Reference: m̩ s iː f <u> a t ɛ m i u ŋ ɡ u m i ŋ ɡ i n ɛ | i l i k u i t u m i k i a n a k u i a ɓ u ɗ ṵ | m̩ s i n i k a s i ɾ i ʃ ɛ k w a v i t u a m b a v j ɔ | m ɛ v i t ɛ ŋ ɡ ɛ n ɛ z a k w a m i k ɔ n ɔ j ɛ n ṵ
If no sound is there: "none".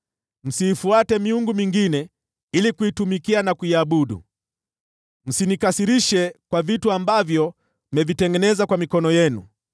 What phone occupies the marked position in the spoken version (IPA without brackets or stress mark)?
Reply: u